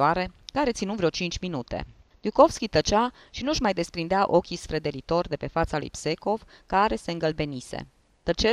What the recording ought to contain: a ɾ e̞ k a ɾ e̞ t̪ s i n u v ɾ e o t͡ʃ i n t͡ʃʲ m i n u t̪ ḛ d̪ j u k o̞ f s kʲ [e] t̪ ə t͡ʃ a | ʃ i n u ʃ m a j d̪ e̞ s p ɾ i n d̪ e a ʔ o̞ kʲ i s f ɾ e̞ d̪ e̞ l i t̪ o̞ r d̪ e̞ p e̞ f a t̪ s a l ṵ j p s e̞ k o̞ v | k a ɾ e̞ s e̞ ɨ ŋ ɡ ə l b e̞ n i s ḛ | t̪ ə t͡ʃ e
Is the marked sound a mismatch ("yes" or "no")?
yes